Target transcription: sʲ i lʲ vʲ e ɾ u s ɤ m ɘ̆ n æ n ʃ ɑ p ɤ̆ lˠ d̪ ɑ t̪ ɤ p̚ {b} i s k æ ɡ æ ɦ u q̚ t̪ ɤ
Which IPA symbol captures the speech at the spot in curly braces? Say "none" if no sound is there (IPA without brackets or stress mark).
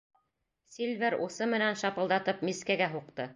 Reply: m